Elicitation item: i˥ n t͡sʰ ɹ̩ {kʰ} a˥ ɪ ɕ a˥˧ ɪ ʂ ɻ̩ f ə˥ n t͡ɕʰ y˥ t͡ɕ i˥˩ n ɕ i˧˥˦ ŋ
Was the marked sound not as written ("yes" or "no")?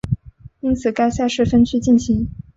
yes